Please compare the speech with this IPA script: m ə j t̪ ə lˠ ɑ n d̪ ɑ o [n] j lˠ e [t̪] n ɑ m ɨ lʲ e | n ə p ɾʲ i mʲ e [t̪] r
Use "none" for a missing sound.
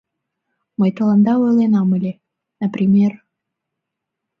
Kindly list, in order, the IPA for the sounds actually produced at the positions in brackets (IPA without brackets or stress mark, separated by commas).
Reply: none, none, none